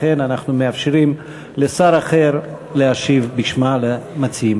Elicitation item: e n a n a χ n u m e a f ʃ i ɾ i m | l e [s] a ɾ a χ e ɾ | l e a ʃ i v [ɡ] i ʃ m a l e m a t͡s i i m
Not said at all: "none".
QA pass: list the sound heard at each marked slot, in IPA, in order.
s, b

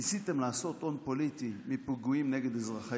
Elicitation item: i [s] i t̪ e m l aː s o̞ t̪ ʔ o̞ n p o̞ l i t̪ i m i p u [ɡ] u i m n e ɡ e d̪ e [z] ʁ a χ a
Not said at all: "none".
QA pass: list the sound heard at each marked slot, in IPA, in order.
s, ɡ, z

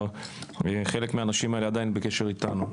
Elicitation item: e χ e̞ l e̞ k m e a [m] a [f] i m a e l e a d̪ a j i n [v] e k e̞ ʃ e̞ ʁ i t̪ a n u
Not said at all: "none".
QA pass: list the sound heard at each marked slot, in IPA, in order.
n, ʃ, b

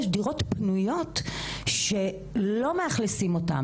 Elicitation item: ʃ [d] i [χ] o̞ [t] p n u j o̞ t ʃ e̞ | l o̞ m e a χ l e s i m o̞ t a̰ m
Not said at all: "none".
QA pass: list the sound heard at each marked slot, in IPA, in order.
d, ʁ, t

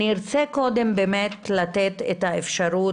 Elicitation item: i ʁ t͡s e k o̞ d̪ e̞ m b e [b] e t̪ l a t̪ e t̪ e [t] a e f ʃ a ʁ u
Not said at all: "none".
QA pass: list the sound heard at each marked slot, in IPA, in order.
m, t

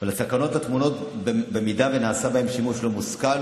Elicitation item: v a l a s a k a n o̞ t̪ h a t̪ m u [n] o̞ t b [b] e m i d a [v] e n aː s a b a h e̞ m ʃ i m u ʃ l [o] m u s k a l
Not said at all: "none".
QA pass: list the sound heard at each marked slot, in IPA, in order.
n, b, v, o

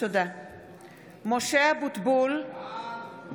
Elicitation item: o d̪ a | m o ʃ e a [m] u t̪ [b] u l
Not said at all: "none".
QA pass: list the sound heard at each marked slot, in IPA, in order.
b, b

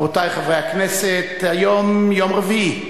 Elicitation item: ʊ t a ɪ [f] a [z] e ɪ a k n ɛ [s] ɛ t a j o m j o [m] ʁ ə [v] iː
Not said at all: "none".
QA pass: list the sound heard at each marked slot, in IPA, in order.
χ, v, s, m, v

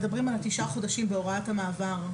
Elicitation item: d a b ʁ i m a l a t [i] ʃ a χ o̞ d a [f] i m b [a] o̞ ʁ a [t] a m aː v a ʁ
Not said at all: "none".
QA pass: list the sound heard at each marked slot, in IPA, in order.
i, ʃ, e, t

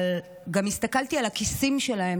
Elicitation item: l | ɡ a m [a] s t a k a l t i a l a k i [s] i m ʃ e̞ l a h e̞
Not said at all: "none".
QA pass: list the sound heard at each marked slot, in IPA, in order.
i, s

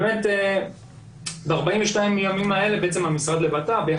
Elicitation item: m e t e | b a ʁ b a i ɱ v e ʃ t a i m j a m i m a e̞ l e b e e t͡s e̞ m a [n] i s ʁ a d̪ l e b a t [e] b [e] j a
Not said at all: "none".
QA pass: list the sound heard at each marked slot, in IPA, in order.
m, a, e

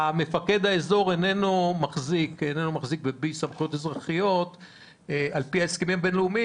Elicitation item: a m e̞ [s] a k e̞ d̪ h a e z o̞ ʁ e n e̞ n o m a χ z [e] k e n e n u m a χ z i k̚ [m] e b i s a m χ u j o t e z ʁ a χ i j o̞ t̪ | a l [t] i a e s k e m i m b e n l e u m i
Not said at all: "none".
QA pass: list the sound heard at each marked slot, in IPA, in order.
f, i, b, p

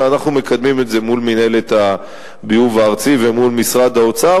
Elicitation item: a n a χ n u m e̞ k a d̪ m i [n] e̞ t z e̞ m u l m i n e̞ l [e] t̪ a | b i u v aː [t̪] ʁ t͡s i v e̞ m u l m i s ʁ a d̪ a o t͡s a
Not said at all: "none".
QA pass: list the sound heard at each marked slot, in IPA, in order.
m, e, none

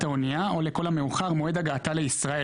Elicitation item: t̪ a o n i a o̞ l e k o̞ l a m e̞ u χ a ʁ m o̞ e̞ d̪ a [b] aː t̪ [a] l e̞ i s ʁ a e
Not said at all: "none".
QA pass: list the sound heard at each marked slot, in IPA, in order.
ɡ, a

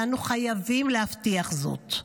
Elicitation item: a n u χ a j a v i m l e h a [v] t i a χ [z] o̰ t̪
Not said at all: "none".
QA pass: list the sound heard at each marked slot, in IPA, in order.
f, z

